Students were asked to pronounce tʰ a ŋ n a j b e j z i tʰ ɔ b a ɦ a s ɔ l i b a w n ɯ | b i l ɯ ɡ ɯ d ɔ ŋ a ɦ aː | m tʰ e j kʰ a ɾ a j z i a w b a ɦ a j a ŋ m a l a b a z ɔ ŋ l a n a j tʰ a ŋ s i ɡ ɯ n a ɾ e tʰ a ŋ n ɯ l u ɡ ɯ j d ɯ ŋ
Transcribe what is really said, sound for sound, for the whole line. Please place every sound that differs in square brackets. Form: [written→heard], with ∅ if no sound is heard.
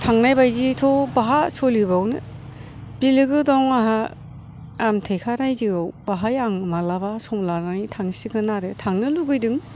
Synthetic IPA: tʰ a ŋ n a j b [e→a] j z i tʰ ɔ b a ɦ a s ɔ l i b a w n ɯ | b i l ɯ ɡ ɯ d ɔ ŋ a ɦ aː | m tʰ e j kʰ a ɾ a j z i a w b a ɦ a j a ŋ m a l a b a [z→s] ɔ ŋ l a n a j tʰ a ŋ s i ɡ ɯ n a ɾ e tʰ a ŋ n ɯ l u ɡ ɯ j d ɯ ŋ